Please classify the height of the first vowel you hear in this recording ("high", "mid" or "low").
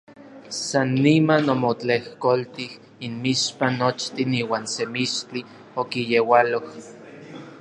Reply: low